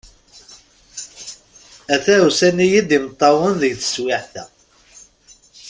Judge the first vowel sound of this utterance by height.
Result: low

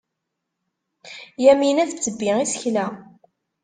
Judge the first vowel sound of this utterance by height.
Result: low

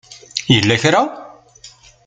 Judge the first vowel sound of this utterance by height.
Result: mid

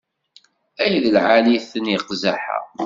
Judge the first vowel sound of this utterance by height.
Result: low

